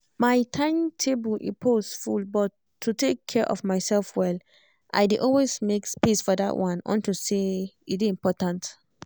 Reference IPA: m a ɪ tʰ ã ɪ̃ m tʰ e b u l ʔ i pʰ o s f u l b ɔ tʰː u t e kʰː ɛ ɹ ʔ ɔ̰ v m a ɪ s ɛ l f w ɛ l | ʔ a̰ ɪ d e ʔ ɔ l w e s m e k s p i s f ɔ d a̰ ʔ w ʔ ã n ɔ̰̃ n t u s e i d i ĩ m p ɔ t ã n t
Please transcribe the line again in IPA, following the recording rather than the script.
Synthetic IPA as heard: m a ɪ tʰ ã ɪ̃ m tʰ e b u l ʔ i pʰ o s f u l b ɔ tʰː u t e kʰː ɛ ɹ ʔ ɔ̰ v m a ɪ s ɛ l f w ɛ l | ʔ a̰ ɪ d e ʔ ɔ l w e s m e k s p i s f ɔ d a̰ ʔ w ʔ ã n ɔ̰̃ n t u s e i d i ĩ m p ɔ t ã n t